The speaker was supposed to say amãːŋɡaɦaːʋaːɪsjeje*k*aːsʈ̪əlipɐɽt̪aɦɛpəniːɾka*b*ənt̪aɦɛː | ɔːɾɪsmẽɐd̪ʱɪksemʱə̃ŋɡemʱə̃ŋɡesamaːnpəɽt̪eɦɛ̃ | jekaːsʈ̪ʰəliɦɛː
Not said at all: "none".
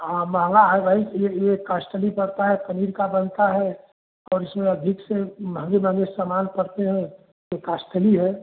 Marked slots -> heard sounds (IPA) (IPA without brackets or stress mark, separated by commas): k, b